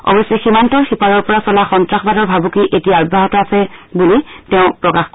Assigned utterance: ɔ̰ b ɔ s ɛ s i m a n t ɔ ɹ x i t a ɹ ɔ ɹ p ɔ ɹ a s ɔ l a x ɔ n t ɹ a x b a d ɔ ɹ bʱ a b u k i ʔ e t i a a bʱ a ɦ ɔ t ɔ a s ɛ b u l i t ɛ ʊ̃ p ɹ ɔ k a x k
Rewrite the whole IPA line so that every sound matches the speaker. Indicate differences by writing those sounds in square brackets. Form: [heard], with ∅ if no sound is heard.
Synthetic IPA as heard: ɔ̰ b ɔ s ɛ [x] i m a n t ɔ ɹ x i [p] a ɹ ɔ ɹ p ɔ ɹ a s ɔ l a x ɔ n t ɹ a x b a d ɔ ɹ bʱ a b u k i ʔ e t i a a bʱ a ɦ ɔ t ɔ a s ɛ b u l i t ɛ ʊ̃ p ɹ ɔ k a x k